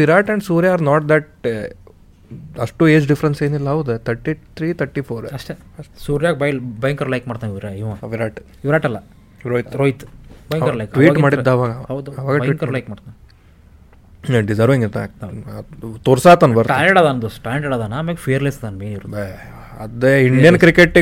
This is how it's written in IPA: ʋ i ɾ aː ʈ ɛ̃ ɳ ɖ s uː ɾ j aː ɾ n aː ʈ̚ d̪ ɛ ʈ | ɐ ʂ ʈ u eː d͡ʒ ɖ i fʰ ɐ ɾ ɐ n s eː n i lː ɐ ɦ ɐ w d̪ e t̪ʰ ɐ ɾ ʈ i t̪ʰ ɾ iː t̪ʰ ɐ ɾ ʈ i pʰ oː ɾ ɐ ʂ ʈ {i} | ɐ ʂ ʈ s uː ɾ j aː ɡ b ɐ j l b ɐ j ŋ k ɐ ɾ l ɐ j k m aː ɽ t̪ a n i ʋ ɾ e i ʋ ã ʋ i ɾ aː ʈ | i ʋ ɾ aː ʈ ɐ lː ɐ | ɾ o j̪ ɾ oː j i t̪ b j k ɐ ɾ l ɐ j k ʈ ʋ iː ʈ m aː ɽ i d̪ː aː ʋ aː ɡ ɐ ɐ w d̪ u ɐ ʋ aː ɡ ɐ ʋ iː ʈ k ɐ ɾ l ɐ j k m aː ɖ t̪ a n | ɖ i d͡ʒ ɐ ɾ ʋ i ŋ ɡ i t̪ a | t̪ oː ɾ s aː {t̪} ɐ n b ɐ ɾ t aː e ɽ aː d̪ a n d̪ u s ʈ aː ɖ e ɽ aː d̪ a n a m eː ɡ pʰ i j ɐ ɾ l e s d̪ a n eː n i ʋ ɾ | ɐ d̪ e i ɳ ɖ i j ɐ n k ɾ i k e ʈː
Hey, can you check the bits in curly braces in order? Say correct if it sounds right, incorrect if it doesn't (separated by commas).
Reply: incorrect, correct